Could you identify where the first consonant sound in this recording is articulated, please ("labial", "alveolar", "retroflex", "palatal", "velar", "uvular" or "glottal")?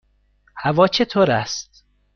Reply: glottal